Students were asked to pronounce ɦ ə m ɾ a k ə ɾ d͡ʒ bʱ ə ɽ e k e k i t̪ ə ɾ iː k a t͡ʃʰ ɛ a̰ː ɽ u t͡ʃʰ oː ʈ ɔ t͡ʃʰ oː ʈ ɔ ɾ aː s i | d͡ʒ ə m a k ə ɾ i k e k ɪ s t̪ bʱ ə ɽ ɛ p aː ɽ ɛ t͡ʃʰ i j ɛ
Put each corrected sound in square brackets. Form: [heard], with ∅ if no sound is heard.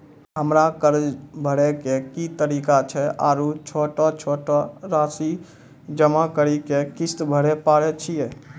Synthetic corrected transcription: ɦ ə m ɾ a k ə ɾ d͡ʒ bʱ ə ɽ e k e k i t̪ ə ɾ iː k a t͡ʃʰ ɛ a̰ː [ɾ] u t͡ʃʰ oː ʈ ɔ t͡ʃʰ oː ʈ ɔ ɾ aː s i | d͡ʒ ə m a k ə ɾ i k e k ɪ s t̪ bʱ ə ɽ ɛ p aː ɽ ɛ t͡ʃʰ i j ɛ